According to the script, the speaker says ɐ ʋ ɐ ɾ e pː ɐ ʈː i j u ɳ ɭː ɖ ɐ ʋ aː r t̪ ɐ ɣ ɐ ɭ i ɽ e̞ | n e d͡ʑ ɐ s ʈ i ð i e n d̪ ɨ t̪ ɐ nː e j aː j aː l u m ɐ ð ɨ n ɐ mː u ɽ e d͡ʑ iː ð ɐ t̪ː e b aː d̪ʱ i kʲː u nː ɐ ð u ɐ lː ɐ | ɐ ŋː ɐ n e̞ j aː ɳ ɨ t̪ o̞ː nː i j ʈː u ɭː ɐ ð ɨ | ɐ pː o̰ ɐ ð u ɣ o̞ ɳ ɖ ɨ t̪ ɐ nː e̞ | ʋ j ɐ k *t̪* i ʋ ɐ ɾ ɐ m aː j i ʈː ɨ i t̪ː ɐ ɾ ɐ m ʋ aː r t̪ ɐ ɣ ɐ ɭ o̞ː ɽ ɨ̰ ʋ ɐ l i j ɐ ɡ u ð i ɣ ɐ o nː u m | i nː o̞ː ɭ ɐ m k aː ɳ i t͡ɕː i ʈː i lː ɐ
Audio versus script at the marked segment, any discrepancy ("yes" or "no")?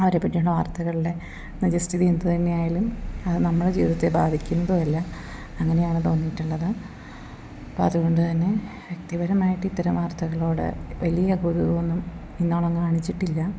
no